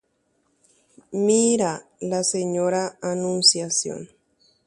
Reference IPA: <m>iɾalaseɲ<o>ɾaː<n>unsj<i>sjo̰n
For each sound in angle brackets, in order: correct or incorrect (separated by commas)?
correct, correct, correct, incorrect